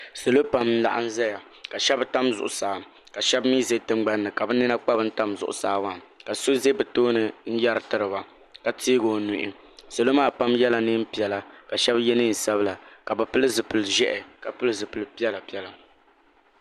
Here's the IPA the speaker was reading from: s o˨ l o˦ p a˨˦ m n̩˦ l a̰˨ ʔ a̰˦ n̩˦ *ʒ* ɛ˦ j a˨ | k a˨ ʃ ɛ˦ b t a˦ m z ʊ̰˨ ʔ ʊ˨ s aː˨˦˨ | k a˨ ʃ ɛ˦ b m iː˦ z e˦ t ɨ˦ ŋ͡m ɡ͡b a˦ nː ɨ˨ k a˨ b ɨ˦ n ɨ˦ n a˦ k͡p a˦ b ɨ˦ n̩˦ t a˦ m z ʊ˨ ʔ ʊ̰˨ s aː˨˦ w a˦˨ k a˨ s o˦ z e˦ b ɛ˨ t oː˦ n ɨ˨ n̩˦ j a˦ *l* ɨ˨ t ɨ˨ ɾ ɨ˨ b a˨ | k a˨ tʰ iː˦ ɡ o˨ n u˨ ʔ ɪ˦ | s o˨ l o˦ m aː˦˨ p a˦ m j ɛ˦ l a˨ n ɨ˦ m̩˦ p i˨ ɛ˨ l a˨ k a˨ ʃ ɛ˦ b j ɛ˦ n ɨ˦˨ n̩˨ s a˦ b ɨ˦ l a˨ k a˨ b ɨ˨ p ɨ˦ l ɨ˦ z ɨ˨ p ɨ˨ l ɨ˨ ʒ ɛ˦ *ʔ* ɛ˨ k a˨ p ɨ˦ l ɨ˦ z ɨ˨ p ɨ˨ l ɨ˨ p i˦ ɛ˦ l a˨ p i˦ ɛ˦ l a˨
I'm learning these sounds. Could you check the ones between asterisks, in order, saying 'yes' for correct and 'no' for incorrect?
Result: no, no, yes

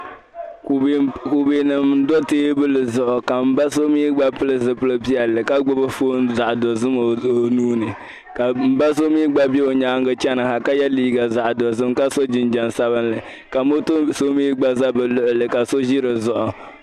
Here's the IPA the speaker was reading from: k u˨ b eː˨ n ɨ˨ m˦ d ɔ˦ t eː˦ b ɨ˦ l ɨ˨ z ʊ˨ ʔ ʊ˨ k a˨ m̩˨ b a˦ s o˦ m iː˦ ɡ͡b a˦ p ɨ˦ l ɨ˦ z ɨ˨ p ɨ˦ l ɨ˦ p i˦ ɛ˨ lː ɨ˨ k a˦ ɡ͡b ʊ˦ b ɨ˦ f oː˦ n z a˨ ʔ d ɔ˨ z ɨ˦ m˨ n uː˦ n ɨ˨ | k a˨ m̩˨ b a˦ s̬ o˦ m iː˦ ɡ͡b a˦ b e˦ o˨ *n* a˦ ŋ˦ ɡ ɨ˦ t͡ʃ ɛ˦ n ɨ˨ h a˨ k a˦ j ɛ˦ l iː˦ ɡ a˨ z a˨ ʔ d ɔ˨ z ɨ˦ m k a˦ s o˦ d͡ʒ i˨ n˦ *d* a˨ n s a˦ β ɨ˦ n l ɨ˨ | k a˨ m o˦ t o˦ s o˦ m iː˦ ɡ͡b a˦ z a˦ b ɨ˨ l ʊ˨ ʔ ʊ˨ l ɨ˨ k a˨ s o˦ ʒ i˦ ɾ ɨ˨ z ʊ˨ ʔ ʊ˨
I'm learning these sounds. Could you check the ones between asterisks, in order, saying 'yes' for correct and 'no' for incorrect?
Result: no, no

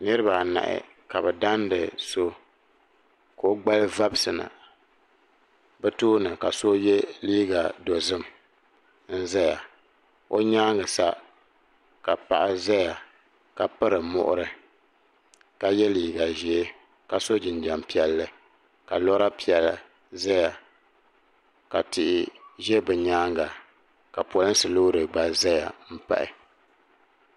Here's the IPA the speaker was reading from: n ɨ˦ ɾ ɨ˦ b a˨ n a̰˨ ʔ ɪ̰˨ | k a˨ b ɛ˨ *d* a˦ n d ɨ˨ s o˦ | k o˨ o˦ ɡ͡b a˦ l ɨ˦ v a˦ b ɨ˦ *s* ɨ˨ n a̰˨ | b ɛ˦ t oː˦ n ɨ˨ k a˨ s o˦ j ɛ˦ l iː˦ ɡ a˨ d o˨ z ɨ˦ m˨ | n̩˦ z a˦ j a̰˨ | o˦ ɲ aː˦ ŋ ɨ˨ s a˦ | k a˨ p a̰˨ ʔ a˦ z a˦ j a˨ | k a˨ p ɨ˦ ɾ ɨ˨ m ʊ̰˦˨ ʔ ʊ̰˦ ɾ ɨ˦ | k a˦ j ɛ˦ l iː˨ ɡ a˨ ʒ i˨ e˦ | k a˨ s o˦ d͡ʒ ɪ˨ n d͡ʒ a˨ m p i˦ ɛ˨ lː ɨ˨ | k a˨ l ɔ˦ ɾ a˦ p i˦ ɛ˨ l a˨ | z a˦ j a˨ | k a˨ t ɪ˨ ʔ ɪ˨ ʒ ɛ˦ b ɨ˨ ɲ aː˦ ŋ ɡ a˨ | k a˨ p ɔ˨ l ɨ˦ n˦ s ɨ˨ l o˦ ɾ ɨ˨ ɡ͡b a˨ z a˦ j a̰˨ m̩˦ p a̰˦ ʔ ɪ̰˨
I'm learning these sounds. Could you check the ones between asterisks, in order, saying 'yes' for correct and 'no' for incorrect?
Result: yes, yes

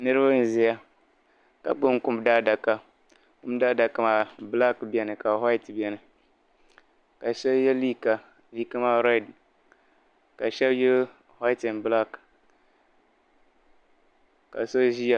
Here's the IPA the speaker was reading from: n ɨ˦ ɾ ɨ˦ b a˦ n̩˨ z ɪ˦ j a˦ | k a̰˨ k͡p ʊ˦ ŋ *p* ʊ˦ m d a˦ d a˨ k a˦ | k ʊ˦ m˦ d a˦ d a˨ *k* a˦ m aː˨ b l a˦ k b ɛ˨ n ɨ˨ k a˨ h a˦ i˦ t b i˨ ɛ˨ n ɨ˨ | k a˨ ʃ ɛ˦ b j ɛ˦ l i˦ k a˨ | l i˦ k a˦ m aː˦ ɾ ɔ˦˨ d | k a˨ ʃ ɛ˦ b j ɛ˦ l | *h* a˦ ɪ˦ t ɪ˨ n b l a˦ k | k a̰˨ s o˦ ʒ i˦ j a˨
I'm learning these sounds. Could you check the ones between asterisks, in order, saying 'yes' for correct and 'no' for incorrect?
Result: no, yes, yes

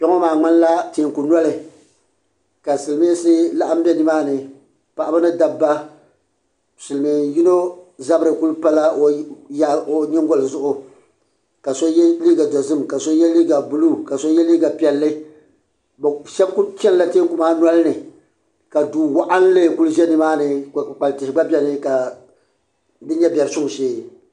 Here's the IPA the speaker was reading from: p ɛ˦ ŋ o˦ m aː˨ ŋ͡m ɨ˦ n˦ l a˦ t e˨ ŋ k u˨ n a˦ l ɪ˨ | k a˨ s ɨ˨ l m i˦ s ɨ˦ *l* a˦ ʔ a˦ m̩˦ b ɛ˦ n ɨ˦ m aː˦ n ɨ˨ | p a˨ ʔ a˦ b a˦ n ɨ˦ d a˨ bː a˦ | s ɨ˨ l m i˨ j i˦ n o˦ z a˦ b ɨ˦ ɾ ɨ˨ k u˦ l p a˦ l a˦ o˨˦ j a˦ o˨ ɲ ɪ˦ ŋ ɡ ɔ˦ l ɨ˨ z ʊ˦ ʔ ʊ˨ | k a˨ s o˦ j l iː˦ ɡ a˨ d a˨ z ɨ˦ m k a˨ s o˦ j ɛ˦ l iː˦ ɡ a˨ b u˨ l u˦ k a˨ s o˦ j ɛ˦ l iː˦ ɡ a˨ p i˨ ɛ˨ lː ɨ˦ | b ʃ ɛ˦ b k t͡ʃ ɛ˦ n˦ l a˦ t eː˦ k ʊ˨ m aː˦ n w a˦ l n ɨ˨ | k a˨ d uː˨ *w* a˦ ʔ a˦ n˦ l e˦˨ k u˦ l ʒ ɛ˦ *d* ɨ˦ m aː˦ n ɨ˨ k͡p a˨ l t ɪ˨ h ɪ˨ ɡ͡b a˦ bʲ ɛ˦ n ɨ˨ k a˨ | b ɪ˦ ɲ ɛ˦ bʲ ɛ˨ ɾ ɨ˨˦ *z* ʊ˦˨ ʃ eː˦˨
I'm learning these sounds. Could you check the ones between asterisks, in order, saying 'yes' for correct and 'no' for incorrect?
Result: yes, yes, no, no

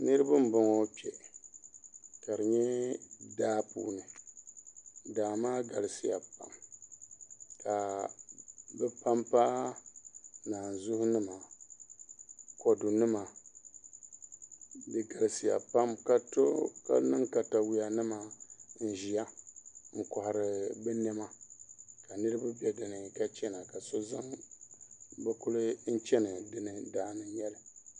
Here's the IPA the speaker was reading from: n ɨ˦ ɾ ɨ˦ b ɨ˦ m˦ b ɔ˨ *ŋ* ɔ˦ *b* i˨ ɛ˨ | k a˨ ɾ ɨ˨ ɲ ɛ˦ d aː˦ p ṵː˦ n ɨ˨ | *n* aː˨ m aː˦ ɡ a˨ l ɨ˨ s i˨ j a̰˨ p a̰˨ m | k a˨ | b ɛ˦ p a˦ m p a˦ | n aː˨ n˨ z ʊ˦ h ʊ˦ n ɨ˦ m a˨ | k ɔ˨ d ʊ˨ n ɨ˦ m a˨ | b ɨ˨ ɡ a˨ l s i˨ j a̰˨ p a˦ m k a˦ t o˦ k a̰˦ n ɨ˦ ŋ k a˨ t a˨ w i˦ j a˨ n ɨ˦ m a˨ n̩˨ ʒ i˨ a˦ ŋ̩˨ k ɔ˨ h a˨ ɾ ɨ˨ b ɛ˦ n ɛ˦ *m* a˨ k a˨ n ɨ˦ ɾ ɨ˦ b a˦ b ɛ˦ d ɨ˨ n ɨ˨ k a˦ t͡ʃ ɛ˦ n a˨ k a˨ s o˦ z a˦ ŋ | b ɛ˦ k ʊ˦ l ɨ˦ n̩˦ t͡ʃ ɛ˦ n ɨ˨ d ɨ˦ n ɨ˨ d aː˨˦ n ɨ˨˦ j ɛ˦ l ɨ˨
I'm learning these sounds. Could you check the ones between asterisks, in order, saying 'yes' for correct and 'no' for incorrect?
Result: yes, no, no, yes

